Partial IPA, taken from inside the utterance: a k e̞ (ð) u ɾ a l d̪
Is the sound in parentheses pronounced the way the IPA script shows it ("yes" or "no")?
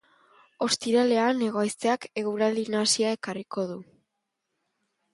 no